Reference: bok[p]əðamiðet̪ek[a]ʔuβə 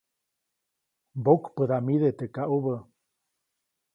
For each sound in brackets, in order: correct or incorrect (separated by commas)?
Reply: correct, correct